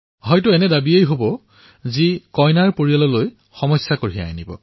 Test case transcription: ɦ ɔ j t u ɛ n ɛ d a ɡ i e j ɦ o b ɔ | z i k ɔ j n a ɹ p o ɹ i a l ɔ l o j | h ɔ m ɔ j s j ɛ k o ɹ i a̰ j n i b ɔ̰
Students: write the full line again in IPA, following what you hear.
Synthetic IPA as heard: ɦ ɔ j t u ɛ n ɛ d a b i e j ɦ o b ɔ | z i k ɔ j n a ɹ p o ɹ i a l ɔ l o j | x ɔ m ɔ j s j a k o ɹ i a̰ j n i b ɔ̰

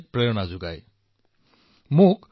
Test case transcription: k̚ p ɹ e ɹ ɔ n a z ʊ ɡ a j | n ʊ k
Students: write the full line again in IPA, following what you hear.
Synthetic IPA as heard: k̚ p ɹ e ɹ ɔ n a z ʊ ɡ a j | m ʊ k

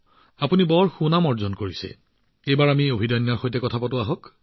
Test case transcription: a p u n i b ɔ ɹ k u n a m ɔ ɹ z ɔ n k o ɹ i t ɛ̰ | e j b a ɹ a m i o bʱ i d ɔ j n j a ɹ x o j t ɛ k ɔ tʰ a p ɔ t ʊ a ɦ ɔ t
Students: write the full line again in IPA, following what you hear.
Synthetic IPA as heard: a p u n i b ɔ ɹ x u n a m ɔ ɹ z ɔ n k o ɹ i s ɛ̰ | e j b a ɹ a m i o bʱ i d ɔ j n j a ɹ x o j t ɛ k ɔ tʰ a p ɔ t ʊ a ɦ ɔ k

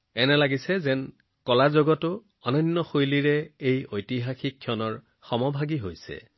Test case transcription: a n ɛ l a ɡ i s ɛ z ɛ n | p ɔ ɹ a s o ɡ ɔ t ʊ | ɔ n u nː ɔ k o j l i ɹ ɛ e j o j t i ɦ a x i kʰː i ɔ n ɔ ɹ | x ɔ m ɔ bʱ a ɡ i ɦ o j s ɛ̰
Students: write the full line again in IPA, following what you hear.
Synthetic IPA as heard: ɛ n ɛ l a ɡ i s ɛ z ɛ n | k ɔ l a z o ɡ ɔ t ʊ | ɔ n ɔ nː ɔ x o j l i ɹ ɛ e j o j t i ɦ a x i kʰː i ɔ n ɔ ɹ | x ɔ m ɔ bʱ a ɡ i ɦ o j s ɛ̰

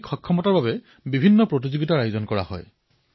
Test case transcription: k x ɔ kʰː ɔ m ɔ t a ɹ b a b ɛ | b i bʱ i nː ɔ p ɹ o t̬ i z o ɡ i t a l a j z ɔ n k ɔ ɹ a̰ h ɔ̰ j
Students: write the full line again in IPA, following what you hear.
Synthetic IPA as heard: k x ɔ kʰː ɔ m ɔ t a ɹ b a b ɛ | b i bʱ i nː ɔ p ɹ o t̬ i z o ɡ i t a ɹ a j z ɔ n k ɔ ɹ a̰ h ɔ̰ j

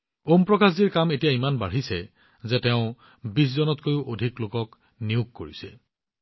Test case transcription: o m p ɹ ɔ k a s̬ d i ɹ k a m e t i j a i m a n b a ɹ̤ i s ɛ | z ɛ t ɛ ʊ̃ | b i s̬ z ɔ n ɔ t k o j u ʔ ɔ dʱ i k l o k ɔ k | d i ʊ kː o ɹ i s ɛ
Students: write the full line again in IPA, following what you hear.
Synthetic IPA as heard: o m p ɹ ɔ k a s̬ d i ɹ k a m e t i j a i m a n b a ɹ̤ i s ɛ | z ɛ t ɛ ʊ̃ | b i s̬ z ɔ n ɔ t k o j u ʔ o dʱ i k l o k ɔ k | n i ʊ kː o ɹ i s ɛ

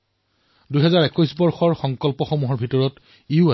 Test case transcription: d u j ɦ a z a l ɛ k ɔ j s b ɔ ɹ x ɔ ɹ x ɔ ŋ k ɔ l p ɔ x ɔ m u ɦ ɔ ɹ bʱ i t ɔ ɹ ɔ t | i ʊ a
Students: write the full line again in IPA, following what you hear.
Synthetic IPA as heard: d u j ɦ ɛ z a ɹ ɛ k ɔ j s b ɔ ɹ x ɔ ɹ x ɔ ŋ k ɔ l p ɔ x ɔ m u ɦ ɔ ɹ bʱ i t ɔ ɹ ɔ t | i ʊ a

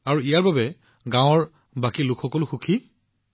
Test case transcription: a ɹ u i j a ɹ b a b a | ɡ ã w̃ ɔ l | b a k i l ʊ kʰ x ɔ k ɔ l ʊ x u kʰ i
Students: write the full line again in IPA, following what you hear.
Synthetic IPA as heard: a ɹ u i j a ɹ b a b ɛ | ɡ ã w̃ ɔ ɹ | b a k i l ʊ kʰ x ɔ k ɔ l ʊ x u kʰ i

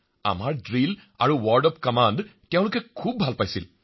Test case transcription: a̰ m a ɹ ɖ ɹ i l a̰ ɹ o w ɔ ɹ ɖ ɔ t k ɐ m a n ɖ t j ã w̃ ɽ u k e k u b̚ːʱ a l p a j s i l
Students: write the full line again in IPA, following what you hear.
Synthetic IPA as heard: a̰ m a ɹ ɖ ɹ i l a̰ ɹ u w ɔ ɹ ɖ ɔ p k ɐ m a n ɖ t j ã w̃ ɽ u k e kʰ u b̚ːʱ a l p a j s i l

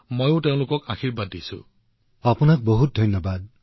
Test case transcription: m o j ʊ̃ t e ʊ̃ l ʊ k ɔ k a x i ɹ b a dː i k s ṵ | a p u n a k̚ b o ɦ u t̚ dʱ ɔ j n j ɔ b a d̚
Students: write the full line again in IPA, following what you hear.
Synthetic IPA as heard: m o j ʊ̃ t e ʊ̃ l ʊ k ɔ k a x i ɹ b a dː i s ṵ | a p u n a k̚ b o ɦ u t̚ dʱ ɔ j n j ɔ b a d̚

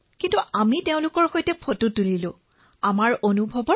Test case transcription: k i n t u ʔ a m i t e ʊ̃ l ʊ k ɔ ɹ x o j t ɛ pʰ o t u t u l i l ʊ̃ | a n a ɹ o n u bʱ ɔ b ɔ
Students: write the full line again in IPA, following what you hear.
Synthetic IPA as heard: k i n t u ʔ a m i t e ʊ̃ l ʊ k ɔ ɹ x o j t ɛ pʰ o t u t u l i l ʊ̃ | a m a ɹ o n u bʱ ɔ b ɔ

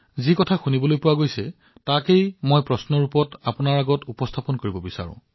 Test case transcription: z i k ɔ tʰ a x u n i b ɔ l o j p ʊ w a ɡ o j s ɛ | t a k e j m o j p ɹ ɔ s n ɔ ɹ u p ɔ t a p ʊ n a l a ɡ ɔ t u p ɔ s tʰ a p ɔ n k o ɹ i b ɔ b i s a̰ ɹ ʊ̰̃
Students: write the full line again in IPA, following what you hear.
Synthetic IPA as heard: z i k ɔ tʰ a x u n i b ɔ l o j p ʊ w a ɡ o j s ɛ | t a k e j m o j p ɹ ɔ s n ɔ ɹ u p ɔ t a p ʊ n a ɹ a ɡ ɔ t u p ɔ s tʰ a p ɔ n k o ɹ i b ɔ b i s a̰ ɹ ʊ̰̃

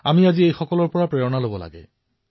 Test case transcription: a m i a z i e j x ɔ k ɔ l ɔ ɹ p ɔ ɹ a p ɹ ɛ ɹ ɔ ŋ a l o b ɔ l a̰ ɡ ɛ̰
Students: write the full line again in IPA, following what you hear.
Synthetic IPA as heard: a m i a z i e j x ɔ k ɔ l ɔ ɹ p ɔ ɹ a p ɹ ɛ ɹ ɔ n a l o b ɔ l a̰ ɡ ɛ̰

